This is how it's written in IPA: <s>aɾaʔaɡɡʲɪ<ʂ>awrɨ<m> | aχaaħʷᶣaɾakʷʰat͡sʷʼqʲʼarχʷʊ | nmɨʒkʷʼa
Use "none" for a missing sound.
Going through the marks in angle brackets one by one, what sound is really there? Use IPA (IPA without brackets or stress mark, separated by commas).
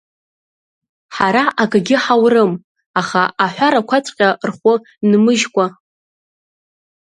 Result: ħ, ħ, m